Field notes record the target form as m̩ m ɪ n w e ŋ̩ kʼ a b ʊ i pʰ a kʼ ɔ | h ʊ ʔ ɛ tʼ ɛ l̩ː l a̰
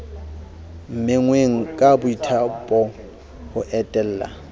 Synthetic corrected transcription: m̩ m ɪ ŋ w e ŋ̩ kʼ a b ʊ i tʰ a pʼ ɔ | h ʊ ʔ ɛ tʼ ɛ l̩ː l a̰